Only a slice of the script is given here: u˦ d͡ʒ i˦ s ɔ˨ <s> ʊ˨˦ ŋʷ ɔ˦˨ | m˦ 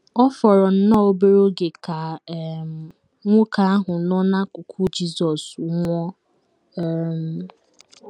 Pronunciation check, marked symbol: correct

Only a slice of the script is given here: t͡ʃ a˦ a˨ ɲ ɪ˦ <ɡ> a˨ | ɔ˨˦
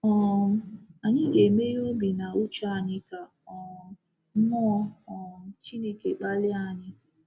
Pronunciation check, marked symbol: incorrect: k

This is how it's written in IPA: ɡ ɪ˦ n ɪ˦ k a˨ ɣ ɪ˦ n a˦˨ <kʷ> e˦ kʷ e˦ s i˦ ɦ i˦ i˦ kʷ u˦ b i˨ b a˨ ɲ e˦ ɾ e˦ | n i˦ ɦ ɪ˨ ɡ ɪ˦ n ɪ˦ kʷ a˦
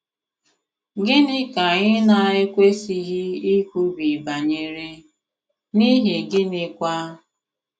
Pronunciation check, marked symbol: incorrect: none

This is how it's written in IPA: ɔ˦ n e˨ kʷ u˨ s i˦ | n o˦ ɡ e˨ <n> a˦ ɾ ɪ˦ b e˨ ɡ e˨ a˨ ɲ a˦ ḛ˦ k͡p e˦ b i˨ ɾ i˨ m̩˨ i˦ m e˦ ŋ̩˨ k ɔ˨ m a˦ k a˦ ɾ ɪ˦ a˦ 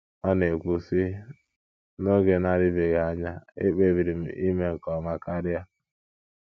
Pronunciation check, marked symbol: correct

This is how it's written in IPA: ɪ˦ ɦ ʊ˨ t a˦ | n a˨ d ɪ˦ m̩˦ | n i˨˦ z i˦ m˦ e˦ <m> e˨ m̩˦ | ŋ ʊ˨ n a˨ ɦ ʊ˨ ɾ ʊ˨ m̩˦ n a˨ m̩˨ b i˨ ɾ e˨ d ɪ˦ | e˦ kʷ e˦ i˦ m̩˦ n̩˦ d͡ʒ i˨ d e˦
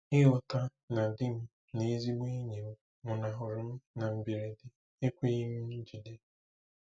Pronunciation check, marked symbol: incorrect: ɲ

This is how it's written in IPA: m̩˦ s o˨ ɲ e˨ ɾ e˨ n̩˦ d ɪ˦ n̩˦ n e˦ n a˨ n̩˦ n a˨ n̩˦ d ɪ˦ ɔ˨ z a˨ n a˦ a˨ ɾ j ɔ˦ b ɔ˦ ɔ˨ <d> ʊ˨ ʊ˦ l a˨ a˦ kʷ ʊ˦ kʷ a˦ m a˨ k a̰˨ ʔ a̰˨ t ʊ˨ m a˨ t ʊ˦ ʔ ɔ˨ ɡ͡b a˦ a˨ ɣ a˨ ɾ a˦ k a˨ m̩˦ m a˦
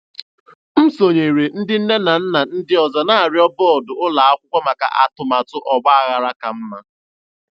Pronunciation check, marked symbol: correct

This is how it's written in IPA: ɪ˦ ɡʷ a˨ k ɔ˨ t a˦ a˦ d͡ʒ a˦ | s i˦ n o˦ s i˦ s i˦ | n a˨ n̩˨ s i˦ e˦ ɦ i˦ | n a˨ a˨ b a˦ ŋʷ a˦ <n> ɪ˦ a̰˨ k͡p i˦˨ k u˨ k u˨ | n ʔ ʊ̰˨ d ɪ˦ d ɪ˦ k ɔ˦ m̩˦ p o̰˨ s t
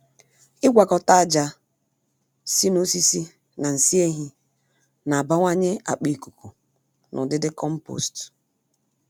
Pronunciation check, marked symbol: incorrect: ɲ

